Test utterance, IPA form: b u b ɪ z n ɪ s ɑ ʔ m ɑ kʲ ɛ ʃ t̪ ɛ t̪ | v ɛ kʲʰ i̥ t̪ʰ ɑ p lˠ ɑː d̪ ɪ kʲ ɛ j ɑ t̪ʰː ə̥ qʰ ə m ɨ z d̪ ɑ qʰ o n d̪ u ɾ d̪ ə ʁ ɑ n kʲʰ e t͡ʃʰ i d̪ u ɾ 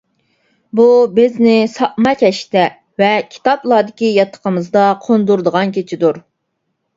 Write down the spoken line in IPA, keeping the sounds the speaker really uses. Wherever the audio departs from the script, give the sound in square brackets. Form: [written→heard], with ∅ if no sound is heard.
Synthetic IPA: b u b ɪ z n ɪ s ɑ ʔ m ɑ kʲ ɛ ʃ t̪ ɛ [t̪→∅] | v ɛ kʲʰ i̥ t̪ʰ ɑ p lˠ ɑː d̪ ɪ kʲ [ɛ→i] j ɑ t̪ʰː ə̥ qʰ ə m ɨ z d̪ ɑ qʰ o n d̪ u ɾ d̪ ə ʁ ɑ n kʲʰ e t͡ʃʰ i d̪ u ɾ